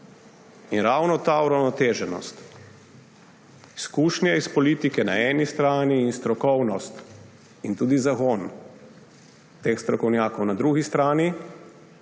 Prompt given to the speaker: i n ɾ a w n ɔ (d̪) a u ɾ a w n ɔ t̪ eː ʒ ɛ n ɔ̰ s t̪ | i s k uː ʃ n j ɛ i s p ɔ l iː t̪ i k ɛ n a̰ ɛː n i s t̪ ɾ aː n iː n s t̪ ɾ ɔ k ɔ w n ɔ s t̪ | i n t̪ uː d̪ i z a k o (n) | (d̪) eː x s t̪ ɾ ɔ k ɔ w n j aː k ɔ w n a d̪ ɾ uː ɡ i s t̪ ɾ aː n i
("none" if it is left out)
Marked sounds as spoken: t̪, n, t̪

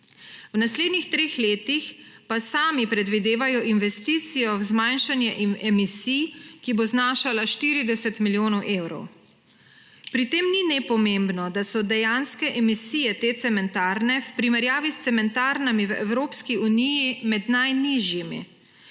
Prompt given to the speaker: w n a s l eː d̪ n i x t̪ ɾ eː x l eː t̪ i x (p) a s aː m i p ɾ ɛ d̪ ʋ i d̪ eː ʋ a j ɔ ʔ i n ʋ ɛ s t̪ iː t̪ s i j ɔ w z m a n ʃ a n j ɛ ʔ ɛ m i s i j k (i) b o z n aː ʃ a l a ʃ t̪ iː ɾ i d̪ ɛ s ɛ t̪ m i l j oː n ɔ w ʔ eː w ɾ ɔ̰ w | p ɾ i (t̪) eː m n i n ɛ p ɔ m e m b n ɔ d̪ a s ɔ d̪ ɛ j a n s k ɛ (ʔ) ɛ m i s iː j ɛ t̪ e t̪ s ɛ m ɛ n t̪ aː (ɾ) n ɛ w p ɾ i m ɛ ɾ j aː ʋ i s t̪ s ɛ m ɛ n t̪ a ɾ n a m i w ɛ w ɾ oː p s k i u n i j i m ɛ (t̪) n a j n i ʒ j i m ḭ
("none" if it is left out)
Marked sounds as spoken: p, i, t̪, ʔ, ɾ, d̪

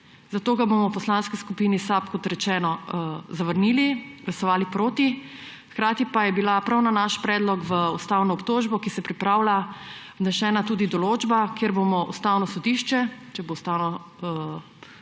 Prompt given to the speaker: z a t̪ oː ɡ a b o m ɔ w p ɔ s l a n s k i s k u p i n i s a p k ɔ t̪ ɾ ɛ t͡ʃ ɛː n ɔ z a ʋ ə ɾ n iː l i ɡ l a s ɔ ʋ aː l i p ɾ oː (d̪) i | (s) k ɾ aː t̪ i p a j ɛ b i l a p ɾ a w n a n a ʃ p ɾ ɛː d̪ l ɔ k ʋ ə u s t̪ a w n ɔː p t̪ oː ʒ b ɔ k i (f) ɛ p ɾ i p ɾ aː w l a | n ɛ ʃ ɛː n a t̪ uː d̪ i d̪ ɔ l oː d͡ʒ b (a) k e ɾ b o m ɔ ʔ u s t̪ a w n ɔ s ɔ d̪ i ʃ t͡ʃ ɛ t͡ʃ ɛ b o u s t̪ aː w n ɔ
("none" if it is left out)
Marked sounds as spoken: t̪, x, s, a

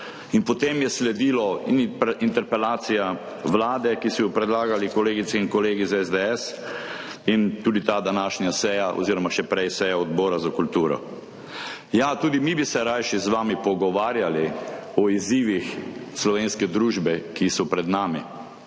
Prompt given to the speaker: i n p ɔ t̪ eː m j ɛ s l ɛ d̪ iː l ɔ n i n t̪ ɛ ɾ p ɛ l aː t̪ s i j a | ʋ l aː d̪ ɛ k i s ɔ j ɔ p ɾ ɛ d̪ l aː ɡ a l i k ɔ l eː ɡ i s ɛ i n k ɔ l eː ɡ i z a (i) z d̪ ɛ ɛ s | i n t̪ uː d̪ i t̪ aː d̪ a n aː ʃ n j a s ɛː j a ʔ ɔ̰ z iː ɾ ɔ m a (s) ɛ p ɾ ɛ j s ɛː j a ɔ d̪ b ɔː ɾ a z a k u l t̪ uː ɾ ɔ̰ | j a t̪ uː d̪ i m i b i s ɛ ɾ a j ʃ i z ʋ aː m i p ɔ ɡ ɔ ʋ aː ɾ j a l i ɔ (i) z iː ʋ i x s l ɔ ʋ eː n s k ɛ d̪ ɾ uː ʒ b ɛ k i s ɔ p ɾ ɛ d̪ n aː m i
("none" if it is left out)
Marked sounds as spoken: ɛ, ʃ, i

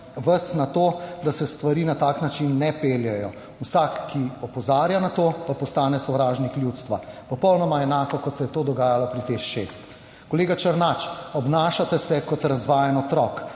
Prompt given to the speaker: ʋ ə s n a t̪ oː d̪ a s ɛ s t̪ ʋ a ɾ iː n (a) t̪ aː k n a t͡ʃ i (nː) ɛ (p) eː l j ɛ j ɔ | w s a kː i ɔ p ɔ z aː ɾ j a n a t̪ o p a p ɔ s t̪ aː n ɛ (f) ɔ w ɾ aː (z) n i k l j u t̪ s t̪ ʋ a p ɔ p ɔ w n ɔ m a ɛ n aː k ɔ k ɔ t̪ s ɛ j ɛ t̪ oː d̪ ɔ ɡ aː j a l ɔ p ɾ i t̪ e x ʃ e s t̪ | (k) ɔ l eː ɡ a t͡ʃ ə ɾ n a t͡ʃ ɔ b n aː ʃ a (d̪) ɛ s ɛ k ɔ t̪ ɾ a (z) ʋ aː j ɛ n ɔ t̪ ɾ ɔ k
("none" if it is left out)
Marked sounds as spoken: a, nː, p, s, ʒ, k, t̪, z

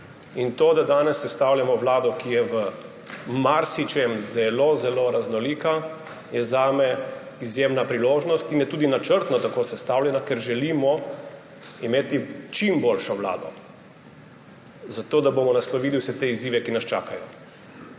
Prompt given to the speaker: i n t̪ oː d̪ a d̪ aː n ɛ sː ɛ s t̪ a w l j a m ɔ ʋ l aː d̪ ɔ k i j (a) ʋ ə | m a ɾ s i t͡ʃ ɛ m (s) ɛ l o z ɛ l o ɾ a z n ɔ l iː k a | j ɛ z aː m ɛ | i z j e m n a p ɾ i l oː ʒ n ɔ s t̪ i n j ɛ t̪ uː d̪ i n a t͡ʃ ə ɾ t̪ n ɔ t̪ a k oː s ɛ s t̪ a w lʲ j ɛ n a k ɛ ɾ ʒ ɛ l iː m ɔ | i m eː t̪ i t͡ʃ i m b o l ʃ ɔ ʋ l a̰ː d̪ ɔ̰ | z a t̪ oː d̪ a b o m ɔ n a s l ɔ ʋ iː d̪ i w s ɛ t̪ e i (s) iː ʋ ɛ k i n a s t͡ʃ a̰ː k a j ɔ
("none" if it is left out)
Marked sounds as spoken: ɛ, z, z

